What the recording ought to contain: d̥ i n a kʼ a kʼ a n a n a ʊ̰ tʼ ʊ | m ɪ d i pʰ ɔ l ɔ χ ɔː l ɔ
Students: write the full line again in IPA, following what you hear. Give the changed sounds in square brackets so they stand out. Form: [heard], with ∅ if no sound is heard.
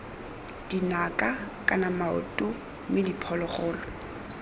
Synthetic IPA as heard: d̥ i n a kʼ a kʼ a n a [m] a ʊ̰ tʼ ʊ | m ɪ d i pʰ ɔ l ɔ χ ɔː l ɔ